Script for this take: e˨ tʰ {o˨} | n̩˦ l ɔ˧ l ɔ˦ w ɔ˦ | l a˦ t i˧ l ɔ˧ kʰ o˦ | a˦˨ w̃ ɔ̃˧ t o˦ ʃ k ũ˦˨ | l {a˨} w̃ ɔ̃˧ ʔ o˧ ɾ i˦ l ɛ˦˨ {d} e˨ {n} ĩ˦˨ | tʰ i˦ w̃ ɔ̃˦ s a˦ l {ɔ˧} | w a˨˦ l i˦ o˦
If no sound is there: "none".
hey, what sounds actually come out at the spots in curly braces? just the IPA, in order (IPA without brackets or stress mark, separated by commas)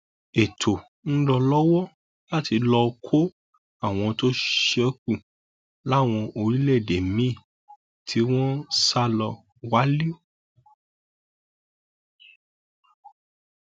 o˨, a˦˨, d, m, ɔ˧